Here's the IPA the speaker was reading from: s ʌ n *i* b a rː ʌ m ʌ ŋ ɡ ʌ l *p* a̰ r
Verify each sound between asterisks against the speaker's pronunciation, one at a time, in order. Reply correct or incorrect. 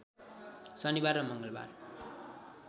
correct, incorrect: b

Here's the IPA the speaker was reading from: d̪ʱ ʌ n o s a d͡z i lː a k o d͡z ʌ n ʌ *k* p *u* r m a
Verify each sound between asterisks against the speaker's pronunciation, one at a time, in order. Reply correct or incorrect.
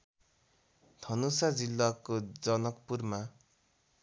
correct, correct

